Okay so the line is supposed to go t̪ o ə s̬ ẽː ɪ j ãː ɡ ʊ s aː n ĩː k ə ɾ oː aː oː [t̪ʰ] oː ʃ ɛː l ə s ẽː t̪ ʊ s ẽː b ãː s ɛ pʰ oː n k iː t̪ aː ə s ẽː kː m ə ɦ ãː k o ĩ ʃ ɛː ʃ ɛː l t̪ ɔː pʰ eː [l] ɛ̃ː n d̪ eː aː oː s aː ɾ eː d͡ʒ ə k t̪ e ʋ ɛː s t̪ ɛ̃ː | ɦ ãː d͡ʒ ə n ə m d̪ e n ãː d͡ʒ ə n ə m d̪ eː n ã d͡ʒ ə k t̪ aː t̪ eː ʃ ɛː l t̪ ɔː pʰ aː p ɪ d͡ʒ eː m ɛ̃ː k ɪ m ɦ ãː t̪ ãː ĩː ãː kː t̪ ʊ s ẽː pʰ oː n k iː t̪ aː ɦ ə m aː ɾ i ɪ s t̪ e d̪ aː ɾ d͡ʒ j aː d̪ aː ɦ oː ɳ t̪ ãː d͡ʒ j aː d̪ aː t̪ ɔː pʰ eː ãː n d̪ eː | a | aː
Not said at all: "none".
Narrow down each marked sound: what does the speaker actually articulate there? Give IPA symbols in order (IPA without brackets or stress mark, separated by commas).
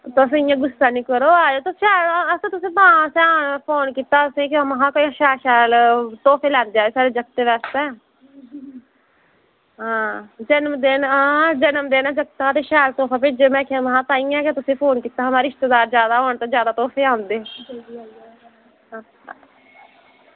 t̪, l